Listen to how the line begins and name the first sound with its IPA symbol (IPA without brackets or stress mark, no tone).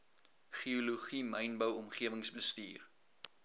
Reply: χ